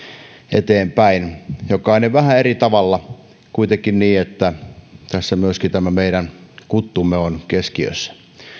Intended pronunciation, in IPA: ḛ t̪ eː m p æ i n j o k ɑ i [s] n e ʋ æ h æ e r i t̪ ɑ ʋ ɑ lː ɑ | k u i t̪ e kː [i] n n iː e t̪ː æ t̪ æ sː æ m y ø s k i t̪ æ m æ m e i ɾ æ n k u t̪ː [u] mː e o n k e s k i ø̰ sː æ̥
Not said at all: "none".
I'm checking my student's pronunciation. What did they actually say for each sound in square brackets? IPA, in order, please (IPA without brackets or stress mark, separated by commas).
none, i, u